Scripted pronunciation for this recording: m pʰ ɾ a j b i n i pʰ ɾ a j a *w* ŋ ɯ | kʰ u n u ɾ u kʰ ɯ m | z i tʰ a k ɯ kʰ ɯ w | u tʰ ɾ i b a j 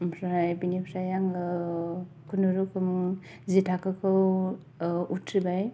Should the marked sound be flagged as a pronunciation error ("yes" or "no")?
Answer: yes